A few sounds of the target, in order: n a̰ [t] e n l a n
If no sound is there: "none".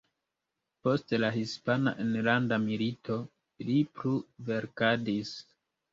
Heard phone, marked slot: ʔ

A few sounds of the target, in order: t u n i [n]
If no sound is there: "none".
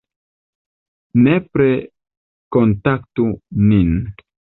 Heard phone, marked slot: n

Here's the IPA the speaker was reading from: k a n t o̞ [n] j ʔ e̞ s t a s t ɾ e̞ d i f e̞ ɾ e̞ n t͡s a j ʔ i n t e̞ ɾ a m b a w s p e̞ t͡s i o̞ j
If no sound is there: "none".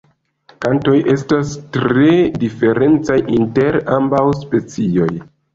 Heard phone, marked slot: none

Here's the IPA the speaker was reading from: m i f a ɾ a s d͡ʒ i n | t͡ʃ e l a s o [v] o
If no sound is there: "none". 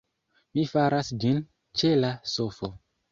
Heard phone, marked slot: f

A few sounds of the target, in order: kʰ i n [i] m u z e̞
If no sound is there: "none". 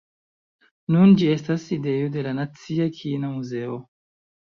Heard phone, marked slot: a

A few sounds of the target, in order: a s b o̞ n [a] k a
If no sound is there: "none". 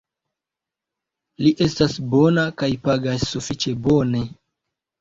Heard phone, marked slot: a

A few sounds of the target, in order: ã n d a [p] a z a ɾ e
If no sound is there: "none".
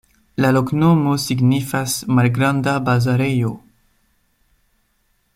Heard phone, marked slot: b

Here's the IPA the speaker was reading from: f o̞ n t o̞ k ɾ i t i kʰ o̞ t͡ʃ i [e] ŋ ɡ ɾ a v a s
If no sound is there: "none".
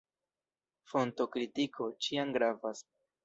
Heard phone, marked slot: a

